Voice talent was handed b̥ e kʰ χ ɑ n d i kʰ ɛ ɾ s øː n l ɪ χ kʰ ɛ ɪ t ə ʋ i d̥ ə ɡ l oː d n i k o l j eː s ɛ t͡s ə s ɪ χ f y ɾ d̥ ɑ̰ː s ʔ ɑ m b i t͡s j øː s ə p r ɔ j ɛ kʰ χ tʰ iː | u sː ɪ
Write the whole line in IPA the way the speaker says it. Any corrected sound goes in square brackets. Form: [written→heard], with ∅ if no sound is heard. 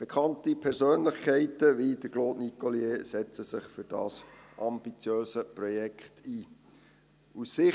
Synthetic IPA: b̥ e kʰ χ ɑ n [d→t] i [kʰ→pʰ] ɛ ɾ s øː n l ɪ χ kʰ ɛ ɪ t ə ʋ i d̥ ə ɡ l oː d n i k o l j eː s ɛ t͡s ə s ɪ χ f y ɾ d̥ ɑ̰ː s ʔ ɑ m b i t͡s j øː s ə p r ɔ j ɛ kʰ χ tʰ iː | u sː ɪ

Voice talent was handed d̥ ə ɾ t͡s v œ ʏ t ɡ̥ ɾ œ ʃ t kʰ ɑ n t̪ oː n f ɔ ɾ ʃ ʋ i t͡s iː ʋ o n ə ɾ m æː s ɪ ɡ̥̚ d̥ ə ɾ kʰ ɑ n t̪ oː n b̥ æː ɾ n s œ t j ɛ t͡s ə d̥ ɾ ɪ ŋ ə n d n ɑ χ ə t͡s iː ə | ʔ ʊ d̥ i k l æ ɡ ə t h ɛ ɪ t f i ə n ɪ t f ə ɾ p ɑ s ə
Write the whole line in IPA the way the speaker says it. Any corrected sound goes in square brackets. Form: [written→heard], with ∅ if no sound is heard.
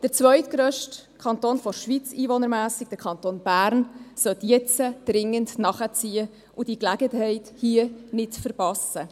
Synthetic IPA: d̥ ə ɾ t͡s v œ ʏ t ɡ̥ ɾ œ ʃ t kʰ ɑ n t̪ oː n f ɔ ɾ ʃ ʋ i t͡s iː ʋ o n ə ɾ m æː s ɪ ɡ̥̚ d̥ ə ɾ kʰ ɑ n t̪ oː n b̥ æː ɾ n s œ t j ɛ t͡s ə d̥ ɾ ɪ ŋ ə n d n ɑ χ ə t͡s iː ə | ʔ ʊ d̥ i k l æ ɡ ə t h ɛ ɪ t [f→h] i ə n ɪ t f ə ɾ p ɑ s ə

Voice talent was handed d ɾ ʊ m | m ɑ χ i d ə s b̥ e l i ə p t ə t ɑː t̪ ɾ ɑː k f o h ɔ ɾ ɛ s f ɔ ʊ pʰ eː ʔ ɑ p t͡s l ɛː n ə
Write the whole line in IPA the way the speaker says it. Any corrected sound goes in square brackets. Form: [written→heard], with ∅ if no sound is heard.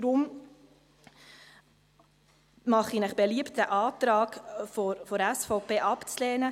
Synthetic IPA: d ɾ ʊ m | m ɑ χ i [d→n] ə [s→χ] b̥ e l i ə p t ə [t→ʔ] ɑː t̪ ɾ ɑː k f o [h→f] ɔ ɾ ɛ s f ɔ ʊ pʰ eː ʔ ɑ p t͡s l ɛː n ə

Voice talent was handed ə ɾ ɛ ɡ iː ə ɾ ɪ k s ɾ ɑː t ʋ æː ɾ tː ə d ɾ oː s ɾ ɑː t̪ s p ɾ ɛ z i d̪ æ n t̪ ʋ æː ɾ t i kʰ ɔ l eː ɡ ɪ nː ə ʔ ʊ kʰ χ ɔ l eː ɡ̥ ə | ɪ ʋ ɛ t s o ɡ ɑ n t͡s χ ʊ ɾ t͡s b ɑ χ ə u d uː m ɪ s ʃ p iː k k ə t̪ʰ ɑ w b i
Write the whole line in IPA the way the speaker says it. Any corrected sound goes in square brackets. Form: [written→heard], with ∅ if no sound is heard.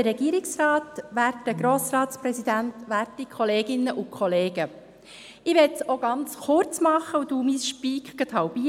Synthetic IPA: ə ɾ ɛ ɡ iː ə ɾ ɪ k s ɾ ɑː t ʋ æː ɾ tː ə [d→ɡ] ɾ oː s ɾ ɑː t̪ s p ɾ ɛ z i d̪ æ n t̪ ʋ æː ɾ t i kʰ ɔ l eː ɡ ɪ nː ə ʔ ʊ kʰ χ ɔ l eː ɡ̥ ə | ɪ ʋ ɛ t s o ɡ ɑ n t͡s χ ʊ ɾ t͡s [b→m] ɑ χ ə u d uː m [ɪ→i] s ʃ p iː k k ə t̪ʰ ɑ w b i

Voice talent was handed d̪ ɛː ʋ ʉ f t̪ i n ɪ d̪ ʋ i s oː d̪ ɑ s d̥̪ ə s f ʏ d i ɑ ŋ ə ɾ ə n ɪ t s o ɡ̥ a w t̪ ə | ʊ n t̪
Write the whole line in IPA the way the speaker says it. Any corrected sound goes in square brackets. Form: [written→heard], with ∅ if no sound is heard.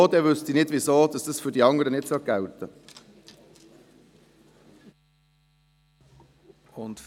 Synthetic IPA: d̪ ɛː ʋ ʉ [f→s] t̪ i n ɪ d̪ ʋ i s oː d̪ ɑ s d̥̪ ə s f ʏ d i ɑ ŋ ə ɾ ə n ɪ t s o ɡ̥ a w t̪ ə | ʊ n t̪

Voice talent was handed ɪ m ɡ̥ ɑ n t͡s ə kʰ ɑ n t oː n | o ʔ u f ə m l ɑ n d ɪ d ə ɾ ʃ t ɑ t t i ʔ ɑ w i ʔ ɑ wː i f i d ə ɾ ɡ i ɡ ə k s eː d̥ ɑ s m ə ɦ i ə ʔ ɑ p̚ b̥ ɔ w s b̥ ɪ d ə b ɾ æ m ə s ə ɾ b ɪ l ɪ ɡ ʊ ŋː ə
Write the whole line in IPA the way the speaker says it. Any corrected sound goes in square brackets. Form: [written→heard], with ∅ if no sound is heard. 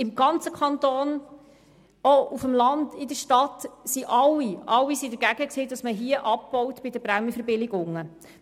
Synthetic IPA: ɪ m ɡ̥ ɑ n t͡s ə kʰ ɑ n t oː n | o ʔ u f ə m l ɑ n d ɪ d ə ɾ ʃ t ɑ t [t→s] i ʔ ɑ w i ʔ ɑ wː i [f→s] i d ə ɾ ɡ [i→æ] ɡ ə k s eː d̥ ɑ s m ə ɦ i ə ʔ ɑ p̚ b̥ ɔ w [s→t] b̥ ɪ d ə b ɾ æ m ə [s→f] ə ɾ b ɪ l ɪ ɡ ʊ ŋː ə

